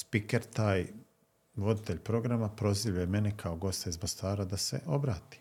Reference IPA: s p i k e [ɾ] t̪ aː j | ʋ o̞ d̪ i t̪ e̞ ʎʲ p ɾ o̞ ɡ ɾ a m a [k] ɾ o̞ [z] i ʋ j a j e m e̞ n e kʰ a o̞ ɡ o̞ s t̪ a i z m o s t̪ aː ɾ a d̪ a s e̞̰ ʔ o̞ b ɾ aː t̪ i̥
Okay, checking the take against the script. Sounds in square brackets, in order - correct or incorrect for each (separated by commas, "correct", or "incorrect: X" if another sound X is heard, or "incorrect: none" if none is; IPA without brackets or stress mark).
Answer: correct, incorrect: p, correct